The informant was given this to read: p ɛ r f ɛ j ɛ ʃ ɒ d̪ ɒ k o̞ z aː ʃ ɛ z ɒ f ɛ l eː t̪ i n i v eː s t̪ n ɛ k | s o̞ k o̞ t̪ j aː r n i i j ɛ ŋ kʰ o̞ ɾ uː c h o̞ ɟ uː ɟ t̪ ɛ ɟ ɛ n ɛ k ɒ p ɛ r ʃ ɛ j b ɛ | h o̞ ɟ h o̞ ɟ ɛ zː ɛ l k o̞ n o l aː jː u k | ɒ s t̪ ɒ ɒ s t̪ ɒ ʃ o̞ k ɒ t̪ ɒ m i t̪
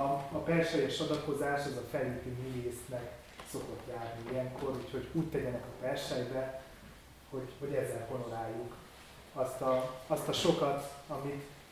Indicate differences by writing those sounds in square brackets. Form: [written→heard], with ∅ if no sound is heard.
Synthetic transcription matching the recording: p ɛ r [f→ʃ] ɛ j ɛ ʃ ɒ d̪ ɒ k o̞ z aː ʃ ɛ z ɒ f ɛ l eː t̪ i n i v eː s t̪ n ɛ k | s o̞ k o̞ t̪ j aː r n i i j ɛ ŋ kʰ o̞ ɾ uː c h o̞ ɟ uː [ɟ→c] t̪ ɛ ɟ ɛ n ɛ k ɒ p ɛ r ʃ ɛ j b ɛ | h o̞ ɟ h o̞ ɟ ɛ zː ɛ l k o̞ n o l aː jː u k | ɒ s t̪ ɒ ɒ s t̪ ɒ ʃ o̞ k ɒ t̪ ɒ m i t̪